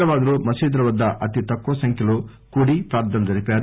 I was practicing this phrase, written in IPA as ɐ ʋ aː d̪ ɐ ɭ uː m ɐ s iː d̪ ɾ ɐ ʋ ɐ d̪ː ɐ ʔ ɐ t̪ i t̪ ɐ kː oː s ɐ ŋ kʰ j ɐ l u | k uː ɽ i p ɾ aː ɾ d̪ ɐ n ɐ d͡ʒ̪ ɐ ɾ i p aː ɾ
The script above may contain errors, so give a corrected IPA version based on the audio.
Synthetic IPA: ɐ ʋ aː d̪ ɐ ɾ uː m ɐ s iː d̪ ɾ ɐ ʋ ɐ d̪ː ɐ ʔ ɐ t̪ i t̪ ɐ kː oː s ɐ ŋ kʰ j ɐ l u | k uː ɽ i p ɾ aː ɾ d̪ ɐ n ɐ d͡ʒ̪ ɐ ɾ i p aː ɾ